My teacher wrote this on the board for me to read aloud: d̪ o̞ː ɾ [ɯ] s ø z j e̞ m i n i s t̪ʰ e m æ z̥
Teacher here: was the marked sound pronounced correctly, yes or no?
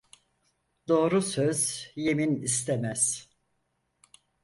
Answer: no